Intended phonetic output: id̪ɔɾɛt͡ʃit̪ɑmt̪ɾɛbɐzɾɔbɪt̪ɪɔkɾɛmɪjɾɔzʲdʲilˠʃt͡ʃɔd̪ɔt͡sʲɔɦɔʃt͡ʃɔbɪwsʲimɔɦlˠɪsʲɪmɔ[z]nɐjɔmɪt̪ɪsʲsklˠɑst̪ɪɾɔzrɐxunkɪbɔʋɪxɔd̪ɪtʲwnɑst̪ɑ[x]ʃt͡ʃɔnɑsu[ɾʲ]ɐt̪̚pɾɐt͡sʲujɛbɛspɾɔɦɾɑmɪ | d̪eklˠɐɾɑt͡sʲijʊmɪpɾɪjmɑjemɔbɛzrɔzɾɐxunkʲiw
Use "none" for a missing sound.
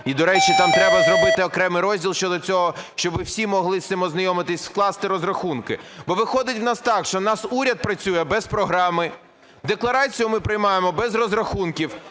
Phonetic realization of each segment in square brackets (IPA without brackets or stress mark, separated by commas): z, k, ɾʲ